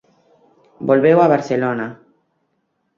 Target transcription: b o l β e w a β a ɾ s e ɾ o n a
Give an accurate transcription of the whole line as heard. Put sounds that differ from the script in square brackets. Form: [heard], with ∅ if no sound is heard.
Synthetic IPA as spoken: b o l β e w a β a ɾ s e [l] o n a